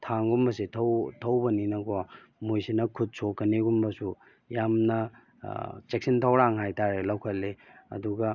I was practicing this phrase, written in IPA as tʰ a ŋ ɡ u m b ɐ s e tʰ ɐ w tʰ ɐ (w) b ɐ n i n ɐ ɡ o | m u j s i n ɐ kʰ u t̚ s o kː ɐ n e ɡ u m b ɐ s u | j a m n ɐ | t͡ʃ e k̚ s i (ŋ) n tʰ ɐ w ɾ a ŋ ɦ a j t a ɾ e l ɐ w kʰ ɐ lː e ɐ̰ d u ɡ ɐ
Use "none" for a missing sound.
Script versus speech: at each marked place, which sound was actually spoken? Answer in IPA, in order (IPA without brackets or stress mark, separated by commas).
w, none